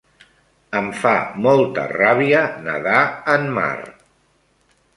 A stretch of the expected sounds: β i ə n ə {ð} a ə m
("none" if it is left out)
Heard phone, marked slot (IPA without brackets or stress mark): ð